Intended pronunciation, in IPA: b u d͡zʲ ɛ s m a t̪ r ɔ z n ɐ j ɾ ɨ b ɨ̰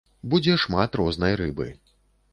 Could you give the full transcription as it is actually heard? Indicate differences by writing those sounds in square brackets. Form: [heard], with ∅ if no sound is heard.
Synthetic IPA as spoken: b u d͡zʲ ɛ [ʂ] m a t̪ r ɔ z n ɐ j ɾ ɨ b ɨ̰